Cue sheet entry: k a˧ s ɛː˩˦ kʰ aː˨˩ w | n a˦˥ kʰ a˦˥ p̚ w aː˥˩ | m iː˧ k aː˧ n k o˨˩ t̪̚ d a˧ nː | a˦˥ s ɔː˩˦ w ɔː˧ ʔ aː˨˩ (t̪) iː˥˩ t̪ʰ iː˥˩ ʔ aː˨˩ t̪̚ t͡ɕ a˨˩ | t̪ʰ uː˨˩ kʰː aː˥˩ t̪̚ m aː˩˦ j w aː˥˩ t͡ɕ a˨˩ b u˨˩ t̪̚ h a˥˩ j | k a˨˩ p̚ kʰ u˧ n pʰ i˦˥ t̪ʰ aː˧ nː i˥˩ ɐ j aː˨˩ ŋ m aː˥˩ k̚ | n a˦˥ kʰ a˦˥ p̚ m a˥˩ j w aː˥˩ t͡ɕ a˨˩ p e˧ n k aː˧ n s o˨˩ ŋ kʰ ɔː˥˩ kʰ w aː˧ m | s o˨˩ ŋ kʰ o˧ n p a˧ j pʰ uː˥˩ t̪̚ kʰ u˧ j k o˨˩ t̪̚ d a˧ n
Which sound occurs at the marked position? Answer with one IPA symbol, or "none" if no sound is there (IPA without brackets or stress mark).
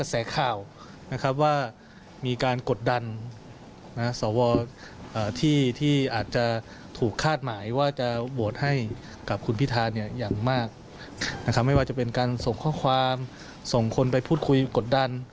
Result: t̪ʰ